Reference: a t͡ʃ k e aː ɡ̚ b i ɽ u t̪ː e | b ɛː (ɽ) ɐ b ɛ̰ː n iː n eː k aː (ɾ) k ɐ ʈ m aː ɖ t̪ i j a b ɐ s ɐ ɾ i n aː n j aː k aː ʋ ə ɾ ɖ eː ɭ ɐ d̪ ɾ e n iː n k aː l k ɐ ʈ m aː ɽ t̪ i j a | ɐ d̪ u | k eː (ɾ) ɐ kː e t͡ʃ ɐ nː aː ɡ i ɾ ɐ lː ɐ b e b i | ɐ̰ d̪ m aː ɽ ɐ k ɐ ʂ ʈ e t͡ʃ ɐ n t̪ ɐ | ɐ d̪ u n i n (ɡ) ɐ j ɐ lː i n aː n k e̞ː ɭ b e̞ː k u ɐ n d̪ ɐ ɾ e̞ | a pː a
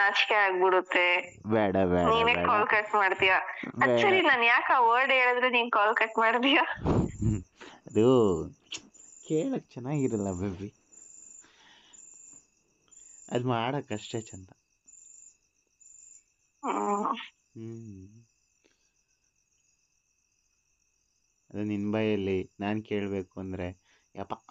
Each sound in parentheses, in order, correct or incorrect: correct, incorrect, incorrect, incorrect

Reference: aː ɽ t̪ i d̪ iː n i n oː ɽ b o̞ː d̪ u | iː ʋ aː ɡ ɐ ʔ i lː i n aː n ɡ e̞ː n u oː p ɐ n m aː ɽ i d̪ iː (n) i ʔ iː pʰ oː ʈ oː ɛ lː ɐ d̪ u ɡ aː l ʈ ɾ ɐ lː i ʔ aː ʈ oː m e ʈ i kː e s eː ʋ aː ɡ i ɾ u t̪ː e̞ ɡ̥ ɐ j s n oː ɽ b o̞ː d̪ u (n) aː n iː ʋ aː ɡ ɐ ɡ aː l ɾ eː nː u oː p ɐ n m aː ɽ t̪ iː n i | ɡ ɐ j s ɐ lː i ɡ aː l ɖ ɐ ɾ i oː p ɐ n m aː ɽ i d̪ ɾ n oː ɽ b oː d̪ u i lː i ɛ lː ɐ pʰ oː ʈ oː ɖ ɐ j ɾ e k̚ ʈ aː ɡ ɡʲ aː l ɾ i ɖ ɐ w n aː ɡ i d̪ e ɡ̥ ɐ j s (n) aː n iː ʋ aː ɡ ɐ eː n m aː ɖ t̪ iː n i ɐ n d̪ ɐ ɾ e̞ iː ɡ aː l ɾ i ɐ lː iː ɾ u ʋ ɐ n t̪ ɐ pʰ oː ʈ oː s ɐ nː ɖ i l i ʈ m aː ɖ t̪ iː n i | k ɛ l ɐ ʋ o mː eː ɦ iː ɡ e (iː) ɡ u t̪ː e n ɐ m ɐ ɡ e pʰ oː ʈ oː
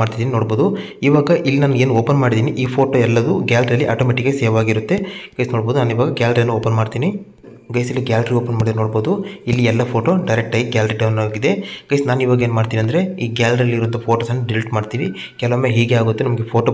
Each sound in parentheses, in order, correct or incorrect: correct, correct, correct, incorrect

